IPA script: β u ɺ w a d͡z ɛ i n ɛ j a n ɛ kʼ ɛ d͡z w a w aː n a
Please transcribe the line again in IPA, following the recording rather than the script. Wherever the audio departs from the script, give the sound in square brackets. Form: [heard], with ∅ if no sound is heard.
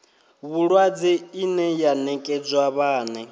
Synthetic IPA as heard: β u ɺ w a d͡z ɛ i n ɛ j a n ɛ kʼ ɛ d͡z w a [β] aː n [ɛ]